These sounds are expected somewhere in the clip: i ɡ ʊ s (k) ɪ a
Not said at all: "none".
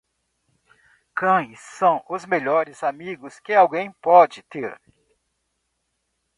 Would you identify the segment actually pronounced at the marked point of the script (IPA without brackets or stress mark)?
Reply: k